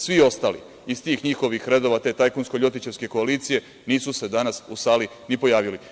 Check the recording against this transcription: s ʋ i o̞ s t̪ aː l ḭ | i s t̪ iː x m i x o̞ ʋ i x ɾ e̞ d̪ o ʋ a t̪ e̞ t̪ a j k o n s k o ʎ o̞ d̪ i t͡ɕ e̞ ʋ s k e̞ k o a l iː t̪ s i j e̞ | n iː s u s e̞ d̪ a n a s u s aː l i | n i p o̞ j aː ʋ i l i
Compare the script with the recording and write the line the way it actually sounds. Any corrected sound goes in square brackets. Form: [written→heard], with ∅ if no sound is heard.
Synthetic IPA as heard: s ʋ i o̞ s t̪ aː l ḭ | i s t̪ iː x [m→ɲ] i x o̞ ʋ i x ɾ e̞ d̪ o ʋ a t̪ e̞ t̪ a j k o n s k o ʎ o̞ [d̪→t̪] i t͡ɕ e̞ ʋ s k e̞ k o a l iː t̪ s i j e̞ | n iː s u s e̞ d̪ a n a s u s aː l i | n i p o̞ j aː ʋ i l i